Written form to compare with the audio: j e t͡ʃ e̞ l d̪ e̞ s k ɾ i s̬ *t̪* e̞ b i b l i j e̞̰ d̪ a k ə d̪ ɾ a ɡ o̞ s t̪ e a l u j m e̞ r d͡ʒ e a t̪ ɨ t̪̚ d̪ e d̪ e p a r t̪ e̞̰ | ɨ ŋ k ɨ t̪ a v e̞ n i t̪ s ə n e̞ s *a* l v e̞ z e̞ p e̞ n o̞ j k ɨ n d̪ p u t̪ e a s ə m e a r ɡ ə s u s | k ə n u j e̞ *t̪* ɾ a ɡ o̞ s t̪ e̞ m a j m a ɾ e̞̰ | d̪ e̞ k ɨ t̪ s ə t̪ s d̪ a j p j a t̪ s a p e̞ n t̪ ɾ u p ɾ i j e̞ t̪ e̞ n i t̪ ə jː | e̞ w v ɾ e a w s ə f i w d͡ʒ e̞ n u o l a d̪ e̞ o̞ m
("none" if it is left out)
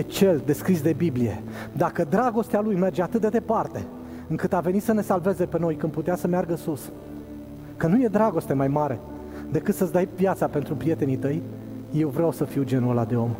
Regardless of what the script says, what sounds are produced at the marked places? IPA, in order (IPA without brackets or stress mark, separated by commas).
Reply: d̪, a, d̪